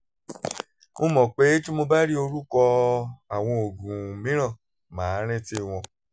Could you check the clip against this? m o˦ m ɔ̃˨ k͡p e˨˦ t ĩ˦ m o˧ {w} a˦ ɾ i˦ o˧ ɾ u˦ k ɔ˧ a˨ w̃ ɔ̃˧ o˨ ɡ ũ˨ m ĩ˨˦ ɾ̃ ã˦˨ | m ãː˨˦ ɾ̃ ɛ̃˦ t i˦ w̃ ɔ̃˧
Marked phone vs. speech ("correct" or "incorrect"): incorrect